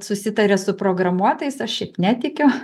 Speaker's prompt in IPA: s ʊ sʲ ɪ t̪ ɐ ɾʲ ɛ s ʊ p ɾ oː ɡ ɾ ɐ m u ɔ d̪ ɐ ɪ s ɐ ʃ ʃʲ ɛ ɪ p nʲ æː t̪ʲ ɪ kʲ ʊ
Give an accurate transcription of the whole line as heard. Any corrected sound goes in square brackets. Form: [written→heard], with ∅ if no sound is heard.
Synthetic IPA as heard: s ʊ sʲ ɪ t̪ ɐ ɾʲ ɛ s ʊ p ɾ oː ɡ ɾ ɐ m u ɔ [d̪→t̪] ɐ ɪ s ɐ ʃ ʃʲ ɛ ɪ p nʲ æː t̪ʲ ɪ kʲ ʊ